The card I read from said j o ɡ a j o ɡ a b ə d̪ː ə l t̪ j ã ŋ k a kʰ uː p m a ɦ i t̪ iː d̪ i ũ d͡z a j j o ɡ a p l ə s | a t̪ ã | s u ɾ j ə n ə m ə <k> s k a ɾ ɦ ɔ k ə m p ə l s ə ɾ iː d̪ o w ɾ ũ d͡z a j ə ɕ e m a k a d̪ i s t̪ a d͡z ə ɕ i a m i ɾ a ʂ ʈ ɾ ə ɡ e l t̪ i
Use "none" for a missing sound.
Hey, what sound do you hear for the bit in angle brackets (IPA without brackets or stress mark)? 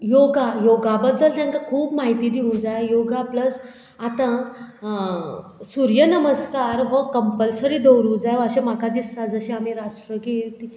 none